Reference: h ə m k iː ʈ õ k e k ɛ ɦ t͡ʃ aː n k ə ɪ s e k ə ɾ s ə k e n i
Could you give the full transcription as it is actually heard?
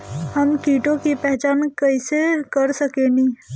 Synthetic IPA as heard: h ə m k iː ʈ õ k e p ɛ ɦ t͡ʃ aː n k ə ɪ s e k ə ɾ s ə k e n i